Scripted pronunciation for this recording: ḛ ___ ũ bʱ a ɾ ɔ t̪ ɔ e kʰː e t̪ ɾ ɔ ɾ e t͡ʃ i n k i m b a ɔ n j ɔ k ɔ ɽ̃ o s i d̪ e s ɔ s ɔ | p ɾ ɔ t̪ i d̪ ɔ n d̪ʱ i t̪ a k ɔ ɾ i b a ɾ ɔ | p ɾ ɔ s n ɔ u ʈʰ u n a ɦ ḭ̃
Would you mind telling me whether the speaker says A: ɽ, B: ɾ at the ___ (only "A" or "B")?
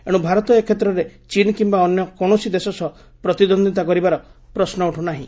A